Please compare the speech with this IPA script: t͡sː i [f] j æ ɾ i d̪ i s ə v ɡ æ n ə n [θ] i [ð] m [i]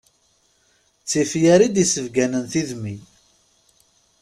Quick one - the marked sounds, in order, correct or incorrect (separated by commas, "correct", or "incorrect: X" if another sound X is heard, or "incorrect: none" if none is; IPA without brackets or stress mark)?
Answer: correct, correct, correct, correct